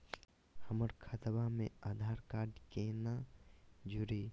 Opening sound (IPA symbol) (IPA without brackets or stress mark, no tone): h